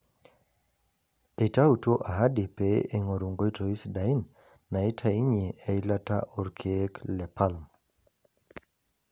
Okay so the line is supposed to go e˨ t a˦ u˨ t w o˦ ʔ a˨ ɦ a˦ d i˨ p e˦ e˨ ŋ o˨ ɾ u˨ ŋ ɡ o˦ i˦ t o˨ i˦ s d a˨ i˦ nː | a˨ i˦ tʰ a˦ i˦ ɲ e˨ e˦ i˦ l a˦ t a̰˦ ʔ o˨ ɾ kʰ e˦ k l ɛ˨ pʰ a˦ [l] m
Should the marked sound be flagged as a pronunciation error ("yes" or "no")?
no